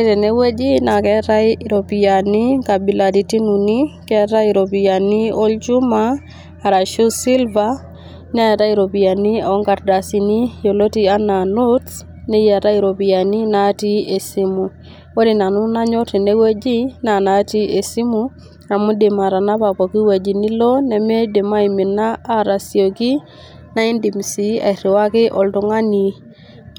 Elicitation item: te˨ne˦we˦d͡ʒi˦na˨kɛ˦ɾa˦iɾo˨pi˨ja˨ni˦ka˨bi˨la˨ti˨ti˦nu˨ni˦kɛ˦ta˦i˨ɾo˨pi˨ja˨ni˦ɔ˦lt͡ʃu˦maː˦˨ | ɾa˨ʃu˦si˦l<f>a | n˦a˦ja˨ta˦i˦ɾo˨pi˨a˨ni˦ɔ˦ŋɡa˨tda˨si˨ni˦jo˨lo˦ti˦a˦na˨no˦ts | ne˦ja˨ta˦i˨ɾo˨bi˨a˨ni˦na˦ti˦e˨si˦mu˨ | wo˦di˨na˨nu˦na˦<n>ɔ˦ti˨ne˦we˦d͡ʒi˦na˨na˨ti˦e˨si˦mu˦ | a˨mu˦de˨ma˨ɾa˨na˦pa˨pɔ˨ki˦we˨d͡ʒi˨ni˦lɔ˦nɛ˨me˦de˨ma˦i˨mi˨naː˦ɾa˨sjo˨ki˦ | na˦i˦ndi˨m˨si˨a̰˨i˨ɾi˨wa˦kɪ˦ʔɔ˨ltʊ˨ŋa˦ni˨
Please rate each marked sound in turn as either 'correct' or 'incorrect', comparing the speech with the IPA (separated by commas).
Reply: incorrect, incorrect